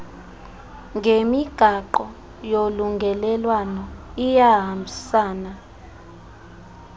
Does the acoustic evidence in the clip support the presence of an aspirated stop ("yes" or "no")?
no